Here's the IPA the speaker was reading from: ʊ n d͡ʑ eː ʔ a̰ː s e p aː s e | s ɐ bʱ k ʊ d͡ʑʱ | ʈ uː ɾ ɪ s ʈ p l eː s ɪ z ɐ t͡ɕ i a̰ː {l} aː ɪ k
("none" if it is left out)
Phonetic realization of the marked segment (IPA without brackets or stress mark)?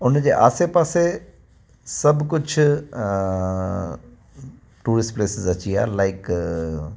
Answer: l